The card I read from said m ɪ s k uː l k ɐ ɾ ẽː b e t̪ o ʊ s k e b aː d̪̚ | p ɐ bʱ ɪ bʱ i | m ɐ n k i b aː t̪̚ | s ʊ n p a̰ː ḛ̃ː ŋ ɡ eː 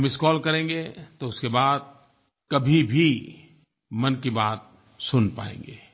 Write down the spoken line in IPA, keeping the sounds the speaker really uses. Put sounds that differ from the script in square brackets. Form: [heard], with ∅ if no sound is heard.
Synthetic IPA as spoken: m ɪ s k [ɔː] l k ɐ ɾ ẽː [ɡ] e t̪ o ʊ s k e b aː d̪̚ | [k] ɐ bʱ [i] bʱ i | m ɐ n k i b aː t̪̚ | s ʊ n p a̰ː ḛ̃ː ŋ ɡ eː